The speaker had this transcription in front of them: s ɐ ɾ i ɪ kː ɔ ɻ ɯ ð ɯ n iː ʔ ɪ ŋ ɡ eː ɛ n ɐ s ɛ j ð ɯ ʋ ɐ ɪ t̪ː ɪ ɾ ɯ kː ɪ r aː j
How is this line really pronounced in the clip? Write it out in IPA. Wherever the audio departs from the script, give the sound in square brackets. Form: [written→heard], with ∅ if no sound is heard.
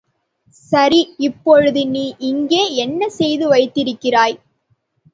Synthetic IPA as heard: s ɐ ɾ i ɪ [kː→pː] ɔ ɻ ɯ ð ɯ n iː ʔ ɪ ŋ ɡ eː ɛ [n→nː] ɐ s ɛ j ð ɯ ʋ ɐ ɪ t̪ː ɪ ɾ ɯ kː ɪ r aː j

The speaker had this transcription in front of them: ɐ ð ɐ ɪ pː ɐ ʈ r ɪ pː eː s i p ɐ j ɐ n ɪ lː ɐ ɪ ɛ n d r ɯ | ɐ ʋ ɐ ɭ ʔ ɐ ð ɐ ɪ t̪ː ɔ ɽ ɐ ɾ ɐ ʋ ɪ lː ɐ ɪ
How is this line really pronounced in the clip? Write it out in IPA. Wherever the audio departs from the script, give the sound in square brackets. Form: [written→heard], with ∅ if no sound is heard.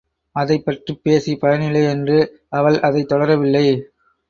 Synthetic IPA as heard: ɐ ð ɐ ɪ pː ɐ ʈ r [ɪ→i] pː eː s i p ɐ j ɐ n ɪ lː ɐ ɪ ɛ n d r ɯ | ɐ ʋ ɐ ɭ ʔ ɐ ð ɐ ɪ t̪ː ɔ ɽ ɐ ɾ ɐ ʋ ɪ lː ɐ ɪ

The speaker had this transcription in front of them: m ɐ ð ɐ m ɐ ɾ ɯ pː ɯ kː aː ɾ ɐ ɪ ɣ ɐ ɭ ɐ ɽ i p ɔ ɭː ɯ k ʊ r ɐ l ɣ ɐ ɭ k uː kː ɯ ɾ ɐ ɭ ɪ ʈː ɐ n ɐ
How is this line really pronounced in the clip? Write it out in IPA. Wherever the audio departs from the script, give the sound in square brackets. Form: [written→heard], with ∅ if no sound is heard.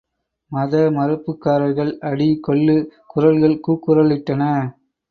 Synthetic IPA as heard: m ɐ ð ɐ m ɐ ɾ ɯ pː ɯ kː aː ɾ ɐ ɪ ɣ ɐ ɭ ɐ ɽ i [p→k] ɔ ɭː ɯ k ʊ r ɐ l ɣ ɐ ɭ k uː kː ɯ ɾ ɐ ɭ ɪ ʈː ɐ n ɐ

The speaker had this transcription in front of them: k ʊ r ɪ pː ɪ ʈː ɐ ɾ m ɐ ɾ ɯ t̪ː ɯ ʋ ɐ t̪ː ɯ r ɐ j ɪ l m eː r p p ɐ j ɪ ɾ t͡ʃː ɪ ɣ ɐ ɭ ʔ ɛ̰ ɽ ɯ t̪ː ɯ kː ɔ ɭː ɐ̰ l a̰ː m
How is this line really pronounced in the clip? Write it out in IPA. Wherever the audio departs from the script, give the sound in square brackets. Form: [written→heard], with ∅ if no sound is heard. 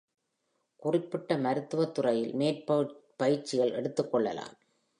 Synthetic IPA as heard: k ʊ r ɪ pː ɪ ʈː ɐ [ɾ→∅] m ɐ ɾ ɯ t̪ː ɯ ʋ ɐ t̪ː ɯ r ɐ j ɪ l m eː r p p ɐ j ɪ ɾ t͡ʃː ɪ ɣ ɐ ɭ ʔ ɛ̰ ɽ ɯ t̪ː ɯ kː ɔ ɭː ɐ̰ l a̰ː m

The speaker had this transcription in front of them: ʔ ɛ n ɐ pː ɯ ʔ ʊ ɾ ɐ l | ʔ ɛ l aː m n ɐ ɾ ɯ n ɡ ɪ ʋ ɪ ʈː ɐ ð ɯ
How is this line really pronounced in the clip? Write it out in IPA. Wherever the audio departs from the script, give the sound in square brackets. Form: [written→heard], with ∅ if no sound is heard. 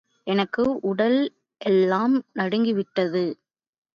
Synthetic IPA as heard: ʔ ɛ n ɐ [pː→kː] ɯ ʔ ʊ [ɾ→ɽ] ɐ l | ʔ ɛ [l→lː] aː m n ɐ [ɾ→ɽ] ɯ [n→ŋ] ɡ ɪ ʋ ɪ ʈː ɐ ð ɯ

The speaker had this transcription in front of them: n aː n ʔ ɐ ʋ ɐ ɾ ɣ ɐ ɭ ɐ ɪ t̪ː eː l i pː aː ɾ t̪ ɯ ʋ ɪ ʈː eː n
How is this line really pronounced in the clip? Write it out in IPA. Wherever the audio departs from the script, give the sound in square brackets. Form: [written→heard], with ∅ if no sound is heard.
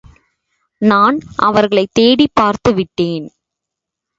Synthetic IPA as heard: n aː n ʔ ɐ ʋ ɐ ɾ ɣ ɐ ɭ ɐ ɪ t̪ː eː [l→ɽ] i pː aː ɾ t̪ ɯ ʋ ɪ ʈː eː n

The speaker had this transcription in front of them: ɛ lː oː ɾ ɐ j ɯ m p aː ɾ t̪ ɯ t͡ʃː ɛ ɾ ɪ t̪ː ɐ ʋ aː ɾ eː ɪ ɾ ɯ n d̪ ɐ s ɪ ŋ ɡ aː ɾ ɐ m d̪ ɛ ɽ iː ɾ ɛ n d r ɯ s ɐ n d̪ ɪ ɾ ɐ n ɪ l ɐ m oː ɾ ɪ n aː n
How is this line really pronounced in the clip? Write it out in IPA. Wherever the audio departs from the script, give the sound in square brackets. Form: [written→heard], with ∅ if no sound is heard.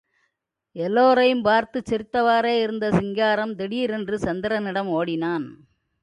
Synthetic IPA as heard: ɛ lː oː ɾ ɐ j ɯ m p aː ɾ t̪ ɯ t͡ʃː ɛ ɾ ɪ t̪ː ɐ ʋ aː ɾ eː ɪ ɾ ɯ n d̪ ɐ s ɪ ŋ ɡ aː ɾ ɐ m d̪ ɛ ɽ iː ɾ ɛ n d r ɯ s ɐ n d̪ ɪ ɾ ɐ n ɪ [l→ɽ] ɐ m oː [ɾ→ɽ] ɪ n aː n

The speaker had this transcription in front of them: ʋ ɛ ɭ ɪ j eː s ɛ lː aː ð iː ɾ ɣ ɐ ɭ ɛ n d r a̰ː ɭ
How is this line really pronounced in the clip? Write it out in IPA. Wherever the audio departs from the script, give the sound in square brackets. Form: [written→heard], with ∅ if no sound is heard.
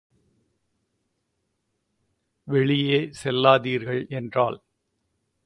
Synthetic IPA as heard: ʋ ɛ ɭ ɪ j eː s ɛ lː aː ð iː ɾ ɣ ɐ ɭ ɛ n d r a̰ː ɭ

